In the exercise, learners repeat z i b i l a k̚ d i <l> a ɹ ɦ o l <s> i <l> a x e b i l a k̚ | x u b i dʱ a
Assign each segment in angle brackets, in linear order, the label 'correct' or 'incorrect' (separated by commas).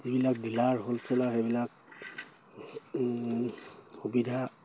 correct, correct, correct